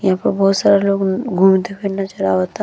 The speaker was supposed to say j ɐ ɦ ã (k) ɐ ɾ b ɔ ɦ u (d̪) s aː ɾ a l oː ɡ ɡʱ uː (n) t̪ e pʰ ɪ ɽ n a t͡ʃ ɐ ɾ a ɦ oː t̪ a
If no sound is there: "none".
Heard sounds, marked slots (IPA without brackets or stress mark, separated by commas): p, t̪, m